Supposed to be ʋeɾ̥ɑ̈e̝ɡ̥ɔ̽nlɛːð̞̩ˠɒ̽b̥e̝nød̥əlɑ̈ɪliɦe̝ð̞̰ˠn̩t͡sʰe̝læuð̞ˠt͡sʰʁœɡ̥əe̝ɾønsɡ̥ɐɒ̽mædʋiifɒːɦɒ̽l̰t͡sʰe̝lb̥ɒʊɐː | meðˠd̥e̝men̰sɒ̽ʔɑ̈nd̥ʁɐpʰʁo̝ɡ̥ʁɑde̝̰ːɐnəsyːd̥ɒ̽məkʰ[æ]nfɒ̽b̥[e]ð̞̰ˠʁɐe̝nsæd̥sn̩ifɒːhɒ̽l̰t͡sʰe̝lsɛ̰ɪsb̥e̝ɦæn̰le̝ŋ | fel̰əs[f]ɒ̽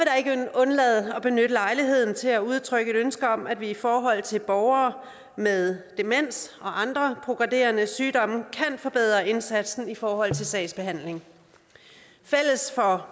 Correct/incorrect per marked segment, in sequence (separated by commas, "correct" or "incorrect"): correct, correct, correct